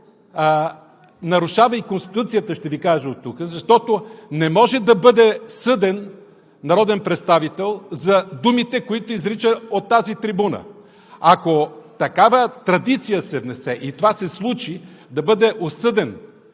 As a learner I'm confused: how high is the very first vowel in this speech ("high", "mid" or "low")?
low